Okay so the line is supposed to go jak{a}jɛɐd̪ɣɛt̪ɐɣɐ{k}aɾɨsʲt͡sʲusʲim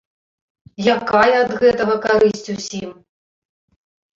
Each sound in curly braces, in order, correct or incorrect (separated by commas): correct, correct